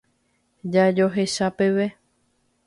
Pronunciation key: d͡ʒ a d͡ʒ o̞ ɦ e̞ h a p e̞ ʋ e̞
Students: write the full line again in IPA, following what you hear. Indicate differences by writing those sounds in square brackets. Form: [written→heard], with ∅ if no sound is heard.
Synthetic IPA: d͡ʒ a d͡ʒ o̞ ɦ e̞ [h→ʃ] a p e̞ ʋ e̞

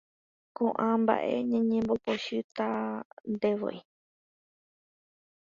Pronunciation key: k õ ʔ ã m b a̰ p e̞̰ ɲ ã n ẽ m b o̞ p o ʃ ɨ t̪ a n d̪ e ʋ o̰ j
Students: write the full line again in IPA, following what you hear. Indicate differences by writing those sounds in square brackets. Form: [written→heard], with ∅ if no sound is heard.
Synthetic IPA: k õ ʔ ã m b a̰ [p→ʔ] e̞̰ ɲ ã [n→ɲ] ẽ m b o̞ p o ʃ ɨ t̪ a n d̪ e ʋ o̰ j

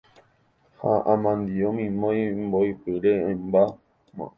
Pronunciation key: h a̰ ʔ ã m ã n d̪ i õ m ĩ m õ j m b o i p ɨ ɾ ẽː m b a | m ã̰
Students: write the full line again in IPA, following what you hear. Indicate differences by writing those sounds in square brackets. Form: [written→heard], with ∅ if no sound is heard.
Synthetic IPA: h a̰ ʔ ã m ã n d̪ i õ m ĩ m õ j m b o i p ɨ ɾ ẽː m b a | m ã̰

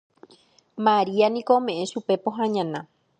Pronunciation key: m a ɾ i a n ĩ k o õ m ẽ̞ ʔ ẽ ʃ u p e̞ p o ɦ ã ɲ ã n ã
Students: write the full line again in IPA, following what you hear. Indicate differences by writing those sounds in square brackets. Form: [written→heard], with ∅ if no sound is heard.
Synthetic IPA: m a ɾ i a n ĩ k o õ m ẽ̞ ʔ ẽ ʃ u p e̞ p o ɦ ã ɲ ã n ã

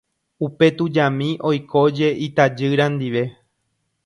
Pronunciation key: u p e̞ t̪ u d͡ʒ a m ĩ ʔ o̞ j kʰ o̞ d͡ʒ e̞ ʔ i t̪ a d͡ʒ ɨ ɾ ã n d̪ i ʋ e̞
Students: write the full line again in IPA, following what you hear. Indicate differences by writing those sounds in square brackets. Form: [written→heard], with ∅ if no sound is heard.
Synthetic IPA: u p e̞ t̪ u d͡ʒ a m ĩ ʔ o̞ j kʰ o̞ d͡ʒ e̞ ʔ i t̪ a d͡ʒ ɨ ɾ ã n d̪ i ʋ e̞

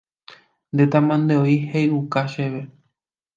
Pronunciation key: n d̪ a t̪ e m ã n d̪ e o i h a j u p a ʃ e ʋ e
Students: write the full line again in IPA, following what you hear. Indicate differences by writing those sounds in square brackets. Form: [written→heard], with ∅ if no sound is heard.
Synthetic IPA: n d̪ [a→e] t̪ [e→a] m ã n d̪ e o i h [a→e] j u [p→k] a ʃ e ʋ e

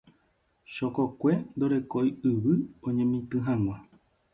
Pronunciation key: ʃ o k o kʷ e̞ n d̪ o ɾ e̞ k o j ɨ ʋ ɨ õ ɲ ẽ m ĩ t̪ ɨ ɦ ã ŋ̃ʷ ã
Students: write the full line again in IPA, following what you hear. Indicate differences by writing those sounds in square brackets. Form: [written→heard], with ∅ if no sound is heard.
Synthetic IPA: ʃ o k o kʷ e̞ n d̪ o ɾ e̞ k o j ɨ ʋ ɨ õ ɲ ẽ m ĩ t̪ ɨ ɦ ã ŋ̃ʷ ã

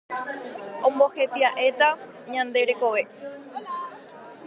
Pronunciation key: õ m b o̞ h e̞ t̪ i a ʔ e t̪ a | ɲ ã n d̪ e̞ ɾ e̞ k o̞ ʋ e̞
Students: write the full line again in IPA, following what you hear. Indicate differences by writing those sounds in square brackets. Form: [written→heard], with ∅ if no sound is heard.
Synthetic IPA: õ m b o̞ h e̞ t̪ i a ʔ e t̪ a | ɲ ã n d̪ e̞ ɾ e̞ k o̞ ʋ e̞

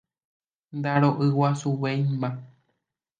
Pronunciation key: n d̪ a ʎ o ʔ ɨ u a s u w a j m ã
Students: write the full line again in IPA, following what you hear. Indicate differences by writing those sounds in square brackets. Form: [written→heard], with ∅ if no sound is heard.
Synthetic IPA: n d̪ a [ʎ→ɾ] o ʔ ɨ [u→w] a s u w [a→e] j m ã

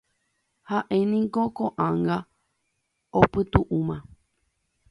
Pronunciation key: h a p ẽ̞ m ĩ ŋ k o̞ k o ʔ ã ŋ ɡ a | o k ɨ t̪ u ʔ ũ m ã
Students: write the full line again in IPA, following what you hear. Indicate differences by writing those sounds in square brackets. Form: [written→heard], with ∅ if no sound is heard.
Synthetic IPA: h a [p→ʔ] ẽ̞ [m→n] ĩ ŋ k o̞ k o ʔ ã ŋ ɡ a | o [k→p] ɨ t̪ u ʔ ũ m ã

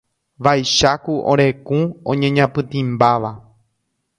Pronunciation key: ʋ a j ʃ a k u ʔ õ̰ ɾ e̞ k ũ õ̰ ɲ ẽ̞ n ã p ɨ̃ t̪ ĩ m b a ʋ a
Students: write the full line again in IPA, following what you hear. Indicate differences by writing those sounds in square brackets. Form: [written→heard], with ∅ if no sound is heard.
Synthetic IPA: ʋ a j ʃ a k u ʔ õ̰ ɾ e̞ k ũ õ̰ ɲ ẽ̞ [n→ɲ] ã p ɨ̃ t̪ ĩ m b a ʋ a

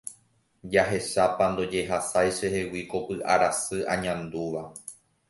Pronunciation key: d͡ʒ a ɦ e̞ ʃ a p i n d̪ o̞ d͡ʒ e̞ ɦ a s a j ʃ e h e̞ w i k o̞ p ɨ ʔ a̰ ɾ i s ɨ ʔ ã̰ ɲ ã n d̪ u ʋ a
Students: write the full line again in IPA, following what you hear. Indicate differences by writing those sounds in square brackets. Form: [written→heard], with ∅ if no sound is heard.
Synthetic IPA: d͡ʒ a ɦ e̞ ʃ a p [i→a] n d̪ o̞ d͡ʒ e̞ ɦ a s a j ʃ e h e̞ w i k o̞ p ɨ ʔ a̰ ɾ [i→a] s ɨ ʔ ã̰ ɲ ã n d̪ u ʋ a

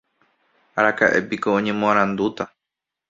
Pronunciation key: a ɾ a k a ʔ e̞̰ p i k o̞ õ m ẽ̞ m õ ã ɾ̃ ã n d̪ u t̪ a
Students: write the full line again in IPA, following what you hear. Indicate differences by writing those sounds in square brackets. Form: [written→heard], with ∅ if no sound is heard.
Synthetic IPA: a ɾ a k a ʔ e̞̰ p i k o̞ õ [m→ɲ] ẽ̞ m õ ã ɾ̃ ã n d̪ u t̪ a

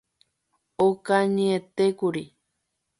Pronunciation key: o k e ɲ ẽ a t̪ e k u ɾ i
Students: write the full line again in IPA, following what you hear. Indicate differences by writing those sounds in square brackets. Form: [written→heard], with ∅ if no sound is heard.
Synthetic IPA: o k [e→a] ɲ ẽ [a→e] t̪ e k u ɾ i

